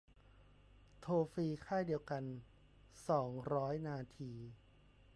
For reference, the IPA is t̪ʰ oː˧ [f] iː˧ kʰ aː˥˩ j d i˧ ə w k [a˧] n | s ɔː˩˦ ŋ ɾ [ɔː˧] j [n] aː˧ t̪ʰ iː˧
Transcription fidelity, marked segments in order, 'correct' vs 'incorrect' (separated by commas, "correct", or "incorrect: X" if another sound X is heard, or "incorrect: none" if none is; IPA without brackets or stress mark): correct, correct, incorrect: ɔː˦˥, correct